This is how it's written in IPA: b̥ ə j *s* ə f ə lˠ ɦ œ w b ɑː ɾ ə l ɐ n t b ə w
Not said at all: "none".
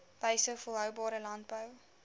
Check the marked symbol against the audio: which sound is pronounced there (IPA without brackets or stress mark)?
s